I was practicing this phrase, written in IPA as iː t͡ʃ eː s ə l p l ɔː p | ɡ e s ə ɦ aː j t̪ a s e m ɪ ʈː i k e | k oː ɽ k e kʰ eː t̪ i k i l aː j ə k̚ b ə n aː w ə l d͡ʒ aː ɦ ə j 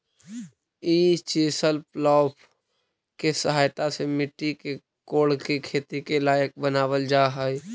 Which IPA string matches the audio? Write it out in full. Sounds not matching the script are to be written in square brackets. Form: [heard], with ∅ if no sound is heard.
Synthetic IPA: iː t͡ʃ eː s ə l p l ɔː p | [k] e s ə ɦ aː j t̪ a s e m ɪ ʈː i k e | k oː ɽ k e kʰ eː t̪ i k [e] l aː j ə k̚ b ə n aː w ə l d͡ʒ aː ɦ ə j